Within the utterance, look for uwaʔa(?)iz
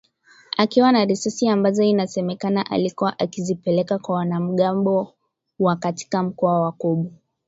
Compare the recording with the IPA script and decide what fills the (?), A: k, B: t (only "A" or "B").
A